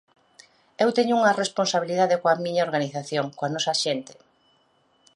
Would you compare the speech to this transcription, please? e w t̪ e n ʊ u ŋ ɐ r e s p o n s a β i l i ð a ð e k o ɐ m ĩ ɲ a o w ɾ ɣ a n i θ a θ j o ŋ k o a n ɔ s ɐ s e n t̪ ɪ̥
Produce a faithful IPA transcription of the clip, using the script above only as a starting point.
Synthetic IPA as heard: e w t̪ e ɲ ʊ u ŋ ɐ r e s p o n s a β i l i ð a ð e k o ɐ m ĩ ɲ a o ɾ ɣ a n i θ a θ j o ŋ k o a n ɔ s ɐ ʃ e n t̪ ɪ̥